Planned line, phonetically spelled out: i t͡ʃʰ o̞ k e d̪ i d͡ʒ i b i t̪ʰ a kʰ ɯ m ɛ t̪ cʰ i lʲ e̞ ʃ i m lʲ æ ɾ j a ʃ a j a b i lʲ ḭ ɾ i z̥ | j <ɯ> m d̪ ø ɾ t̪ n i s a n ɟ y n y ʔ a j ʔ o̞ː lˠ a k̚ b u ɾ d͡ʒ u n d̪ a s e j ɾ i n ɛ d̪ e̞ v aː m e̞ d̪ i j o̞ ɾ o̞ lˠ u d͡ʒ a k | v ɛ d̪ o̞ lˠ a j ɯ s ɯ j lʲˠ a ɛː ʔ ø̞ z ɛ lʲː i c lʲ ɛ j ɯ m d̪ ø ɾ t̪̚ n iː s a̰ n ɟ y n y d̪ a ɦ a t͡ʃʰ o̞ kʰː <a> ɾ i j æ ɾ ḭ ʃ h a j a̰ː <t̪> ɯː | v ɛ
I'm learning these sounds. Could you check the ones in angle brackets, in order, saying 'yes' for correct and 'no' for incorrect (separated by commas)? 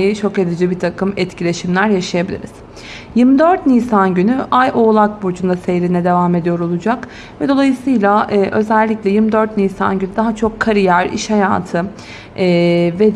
yes, yes, no